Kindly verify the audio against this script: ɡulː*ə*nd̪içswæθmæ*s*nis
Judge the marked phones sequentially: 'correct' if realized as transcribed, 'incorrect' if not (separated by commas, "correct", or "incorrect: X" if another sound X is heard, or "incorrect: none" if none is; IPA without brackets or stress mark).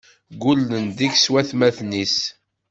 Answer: correct, incorrect: θ